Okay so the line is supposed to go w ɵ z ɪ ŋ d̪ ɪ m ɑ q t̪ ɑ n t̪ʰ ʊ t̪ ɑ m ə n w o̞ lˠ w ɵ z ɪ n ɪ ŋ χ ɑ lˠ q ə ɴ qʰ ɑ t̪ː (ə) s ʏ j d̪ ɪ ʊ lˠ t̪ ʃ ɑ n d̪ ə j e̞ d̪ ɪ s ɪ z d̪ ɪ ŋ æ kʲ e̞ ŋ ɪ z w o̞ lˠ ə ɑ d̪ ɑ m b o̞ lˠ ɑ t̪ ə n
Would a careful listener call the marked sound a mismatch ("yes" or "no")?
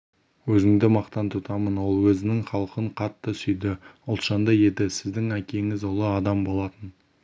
no